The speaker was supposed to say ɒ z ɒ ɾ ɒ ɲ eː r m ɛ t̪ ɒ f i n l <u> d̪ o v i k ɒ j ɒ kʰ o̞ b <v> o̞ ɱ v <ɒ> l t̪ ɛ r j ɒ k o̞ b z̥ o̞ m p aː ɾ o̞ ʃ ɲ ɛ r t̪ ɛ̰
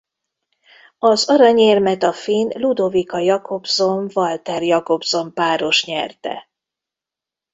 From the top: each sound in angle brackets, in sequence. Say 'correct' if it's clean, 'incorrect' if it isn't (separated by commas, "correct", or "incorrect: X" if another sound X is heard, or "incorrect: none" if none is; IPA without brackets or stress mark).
correct, incorrect: z, correct